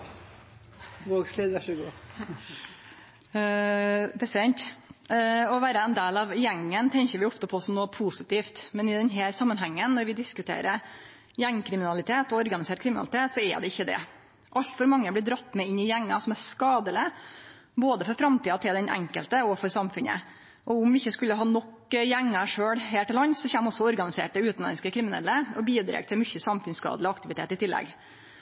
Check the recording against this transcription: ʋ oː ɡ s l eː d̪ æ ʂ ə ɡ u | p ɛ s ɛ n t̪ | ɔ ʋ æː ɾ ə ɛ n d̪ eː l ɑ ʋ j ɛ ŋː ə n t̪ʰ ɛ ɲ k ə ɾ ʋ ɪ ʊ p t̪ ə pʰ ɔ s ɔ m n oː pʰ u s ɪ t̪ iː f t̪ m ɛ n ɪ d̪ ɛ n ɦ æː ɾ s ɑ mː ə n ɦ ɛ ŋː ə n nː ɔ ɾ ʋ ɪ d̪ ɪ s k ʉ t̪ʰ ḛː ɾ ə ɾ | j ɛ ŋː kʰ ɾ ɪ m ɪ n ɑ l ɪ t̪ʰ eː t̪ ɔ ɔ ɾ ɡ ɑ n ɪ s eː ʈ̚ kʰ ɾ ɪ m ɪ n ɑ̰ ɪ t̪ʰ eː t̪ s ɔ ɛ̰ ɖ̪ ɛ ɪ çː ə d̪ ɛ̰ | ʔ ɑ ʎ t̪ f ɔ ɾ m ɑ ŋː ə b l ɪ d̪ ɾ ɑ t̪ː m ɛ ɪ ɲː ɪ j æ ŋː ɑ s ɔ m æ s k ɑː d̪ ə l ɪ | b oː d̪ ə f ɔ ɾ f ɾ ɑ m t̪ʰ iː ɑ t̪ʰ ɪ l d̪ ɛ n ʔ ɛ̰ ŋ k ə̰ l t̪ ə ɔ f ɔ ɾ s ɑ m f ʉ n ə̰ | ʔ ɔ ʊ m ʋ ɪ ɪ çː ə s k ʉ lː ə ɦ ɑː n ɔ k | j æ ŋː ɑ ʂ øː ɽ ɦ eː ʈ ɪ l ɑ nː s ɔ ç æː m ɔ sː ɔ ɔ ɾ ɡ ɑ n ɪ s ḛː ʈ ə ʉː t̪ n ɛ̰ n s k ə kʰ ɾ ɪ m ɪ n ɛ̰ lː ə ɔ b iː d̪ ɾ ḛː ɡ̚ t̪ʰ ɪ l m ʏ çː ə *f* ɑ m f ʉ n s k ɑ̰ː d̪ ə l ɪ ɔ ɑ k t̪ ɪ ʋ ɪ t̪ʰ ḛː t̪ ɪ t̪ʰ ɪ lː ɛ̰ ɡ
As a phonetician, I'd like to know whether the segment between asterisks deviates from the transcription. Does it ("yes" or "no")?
yes